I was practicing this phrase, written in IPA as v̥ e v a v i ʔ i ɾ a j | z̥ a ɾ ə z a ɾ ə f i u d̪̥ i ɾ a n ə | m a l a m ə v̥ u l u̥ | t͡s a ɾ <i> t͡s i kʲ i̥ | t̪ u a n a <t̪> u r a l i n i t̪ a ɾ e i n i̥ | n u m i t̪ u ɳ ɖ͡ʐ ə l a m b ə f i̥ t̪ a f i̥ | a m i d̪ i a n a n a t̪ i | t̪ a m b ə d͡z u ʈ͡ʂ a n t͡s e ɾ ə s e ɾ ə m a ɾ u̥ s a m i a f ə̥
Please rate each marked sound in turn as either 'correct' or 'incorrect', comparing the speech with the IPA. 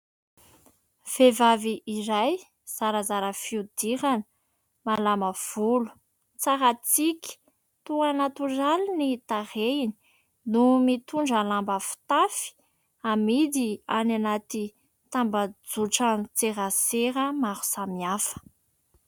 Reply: incorrect: a, correct

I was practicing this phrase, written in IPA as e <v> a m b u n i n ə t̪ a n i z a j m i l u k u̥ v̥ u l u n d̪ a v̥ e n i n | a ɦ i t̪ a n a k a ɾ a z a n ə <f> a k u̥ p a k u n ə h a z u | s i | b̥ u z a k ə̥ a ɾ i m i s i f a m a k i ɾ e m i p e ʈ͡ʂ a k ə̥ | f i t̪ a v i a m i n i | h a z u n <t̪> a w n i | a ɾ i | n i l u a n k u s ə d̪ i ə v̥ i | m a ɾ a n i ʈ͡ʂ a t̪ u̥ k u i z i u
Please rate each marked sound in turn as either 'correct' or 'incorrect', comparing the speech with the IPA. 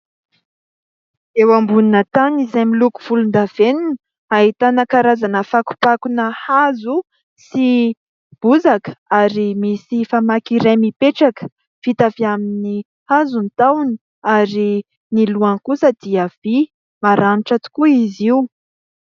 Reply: incorrect: w, correct, correct

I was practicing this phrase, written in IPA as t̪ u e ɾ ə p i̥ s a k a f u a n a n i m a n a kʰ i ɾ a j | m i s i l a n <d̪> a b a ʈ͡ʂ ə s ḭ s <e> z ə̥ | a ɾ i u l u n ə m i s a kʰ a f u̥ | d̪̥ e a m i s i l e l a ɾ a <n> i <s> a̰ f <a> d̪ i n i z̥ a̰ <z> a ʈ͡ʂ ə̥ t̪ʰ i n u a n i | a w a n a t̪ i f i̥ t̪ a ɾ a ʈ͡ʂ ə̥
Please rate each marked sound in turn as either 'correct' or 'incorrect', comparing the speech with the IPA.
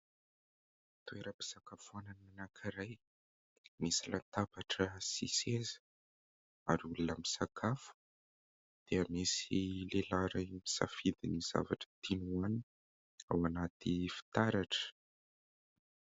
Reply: incorrect: t̪, correct, incorrect: m, correct, incorrect: i, incorrect: v

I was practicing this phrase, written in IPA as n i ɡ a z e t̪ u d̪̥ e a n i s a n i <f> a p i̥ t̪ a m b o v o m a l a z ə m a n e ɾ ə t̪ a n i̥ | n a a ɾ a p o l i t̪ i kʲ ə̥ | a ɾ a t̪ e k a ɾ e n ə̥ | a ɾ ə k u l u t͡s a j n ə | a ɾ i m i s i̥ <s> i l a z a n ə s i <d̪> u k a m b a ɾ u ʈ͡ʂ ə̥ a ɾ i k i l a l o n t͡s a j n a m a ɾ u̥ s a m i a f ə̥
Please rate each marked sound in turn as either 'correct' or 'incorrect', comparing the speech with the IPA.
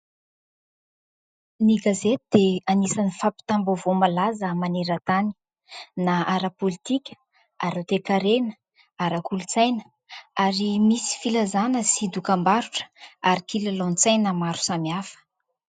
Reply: correct, incorrect: f, correct

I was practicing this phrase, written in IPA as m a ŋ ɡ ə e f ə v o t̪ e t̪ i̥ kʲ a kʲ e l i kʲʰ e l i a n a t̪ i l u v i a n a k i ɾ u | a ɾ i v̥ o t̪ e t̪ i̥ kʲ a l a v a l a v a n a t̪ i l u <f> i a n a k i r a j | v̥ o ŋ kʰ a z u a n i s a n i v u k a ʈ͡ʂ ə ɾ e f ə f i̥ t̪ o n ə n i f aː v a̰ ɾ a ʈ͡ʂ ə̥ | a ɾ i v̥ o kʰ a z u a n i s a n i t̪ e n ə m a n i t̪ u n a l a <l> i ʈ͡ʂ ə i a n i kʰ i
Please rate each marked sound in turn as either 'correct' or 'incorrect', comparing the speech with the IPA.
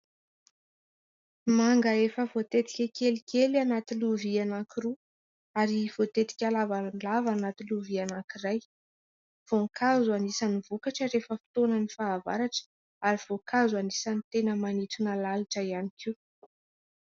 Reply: incorrect: v, correct

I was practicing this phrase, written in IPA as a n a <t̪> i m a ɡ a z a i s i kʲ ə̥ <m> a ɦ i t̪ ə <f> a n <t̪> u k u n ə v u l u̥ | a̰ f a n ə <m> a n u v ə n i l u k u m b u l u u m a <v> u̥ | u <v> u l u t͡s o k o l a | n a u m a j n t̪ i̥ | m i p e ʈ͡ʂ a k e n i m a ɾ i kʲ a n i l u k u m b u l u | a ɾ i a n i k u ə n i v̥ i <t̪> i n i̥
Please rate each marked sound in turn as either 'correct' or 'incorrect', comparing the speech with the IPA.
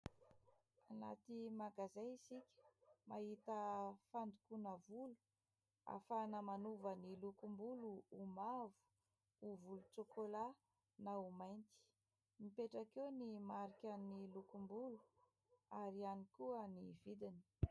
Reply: correct, correct, correct, incorrect: d̪, correct, correct, correct, incorrect: d̪

